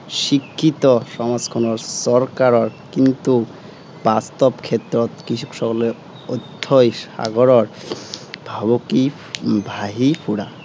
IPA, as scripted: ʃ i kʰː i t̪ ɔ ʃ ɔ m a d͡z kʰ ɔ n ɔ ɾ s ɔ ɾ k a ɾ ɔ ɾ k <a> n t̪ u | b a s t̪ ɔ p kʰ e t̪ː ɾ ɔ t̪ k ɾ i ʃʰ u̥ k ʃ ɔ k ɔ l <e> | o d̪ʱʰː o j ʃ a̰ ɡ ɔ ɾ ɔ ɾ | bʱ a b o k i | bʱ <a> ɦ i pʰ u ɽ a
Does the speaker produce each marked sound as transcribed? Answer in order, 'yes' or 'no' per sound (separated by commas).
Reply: no, yes, yes